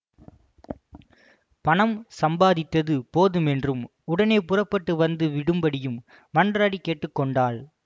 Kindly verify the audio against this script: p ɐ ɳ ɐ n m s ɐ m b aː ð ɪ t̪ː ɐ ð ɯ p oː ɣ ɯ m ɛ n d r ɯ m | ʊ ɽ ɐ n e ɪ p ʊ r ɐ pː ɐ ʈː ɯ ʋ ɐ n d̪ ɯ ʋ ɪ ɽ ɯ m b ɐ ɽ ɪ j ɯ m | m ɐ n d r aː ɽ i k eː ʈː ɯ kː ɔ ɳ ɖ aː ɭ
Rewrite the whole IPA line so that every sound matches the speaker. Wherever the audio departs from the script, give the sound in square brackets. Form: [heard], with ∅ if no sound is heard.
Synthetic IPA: p ɐ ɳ ɐ [∅] m s ɐ m b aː ð ɪ t̪ː ɐ ð ɯ p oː [ð] ɯ m ɛ n d r ɯ m | ʊ ɽ ɐ n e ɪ p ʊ r ɐ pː ɐ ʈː ɯ ʋ ɐ n d̪ ɯ ʋ ɪ ɽ ɯ m b ɐ ɽ ɪ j ɯ m | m ɐ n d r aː ɽ i k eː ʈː ɯ kː ɔ ɳ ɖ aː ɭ